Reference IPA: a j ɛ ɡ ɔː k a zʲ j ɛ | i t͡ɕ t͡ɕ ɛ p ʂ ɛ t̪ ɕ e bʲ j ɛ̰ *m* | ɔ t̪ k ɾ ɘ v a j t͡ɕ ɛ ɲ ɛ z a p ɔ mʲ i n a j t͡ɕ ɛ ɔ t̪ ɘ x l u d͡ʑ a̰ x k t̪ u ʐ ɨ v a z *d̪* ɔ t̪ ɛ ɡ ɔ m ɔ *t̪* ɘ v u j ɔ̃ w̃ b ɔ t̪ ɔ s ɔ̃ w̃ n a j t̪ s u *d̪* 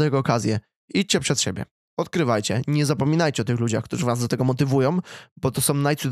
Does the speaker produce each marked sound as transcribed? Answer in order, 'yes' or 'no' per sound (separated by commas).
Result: no, yes, yes, yes